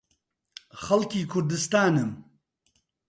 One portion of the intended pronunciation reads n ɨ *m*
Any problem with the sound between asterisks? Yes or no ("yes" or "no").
no